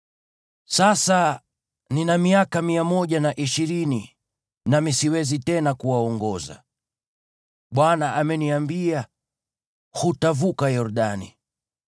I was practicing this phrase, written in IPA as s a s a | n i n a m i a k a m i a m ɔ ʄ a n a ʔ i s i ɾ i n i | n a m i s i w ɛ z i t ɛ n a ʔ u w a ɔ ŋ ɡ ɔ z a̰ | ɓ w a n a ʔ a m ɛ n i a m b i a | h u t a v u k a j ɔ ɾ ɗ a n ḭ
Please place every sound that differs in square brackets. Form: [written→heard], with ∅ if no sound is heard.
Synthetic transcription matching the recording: s a s a | n i n a m i a k a m i a m ɔ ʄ a n a ʔ i [s→ʃ] i ɾ i n i | n a m i s i w ɛ z i t ɛ n a [ʔ→k] u w a ɔ ŋ ɡ ɔ z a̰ | ɓ w a n a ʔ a m ɛ n i a m b i a | h u t a v u k a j ɔ ɾ ɗ a n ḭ